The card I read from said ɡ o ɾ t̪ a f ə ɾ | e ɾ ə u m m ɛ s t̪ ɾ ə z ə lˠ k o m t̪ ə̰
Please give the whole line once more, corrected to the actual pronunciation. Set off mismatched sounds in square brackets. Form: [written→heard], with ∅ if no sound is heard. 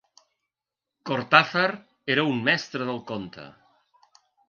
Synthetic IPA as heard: [ɡ→k] o ɾ t̪ a f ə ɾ | e ɾ ə u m m ɛ s t̪ ɾ ə [z→ð] ə lˠ k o [m→n] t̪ ə̰